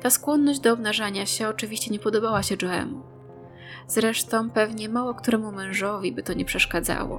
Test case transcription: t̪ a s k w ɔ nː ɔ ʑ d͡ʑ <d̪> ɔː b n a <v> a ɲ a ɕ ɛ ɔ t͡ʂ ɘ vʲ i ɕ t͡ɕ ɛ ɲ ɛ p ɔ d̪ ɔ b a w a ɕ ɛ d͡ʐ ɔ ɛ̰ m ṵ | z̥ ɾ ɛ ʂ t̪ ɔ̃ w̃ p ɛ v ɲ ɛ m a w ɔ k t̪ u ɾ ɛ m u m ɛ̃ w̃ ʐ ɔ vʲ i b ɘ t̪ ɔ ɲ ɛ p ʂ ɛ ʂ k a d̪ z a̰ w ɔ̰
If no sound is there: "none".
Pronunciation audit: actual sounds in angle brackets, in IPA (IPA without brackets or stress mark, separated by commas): d̪, ʐ